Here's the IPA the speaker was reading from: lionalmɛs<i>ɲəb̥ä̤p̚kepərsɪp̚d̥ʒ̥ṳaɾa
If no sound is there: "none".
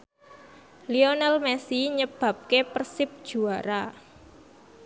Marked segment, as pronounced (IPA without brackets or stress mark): i